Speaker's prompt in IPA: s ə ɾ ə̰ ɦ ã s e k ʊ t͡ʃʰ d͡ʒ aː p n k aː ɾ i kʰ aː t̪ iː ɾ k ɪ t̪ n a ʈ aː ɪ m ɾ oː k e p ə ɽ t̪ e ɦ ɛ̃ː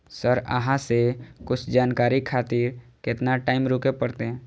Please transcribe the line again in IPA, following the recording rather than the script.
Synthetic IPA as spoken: s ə ɾ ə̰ ɦ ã s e k ʊ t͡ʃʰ d͡ʒ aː n k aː ɾ i kʰ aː t̪ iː ɾ k ɪ t̪ n a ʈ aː ɪ m ɾ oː k e p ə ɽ t̪ e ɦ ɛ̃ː